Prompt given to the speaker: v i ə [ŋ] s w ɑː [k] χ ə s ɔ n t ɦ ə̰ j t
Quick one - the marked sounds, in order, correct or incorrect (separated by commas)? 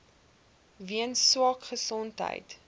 incorrect, correct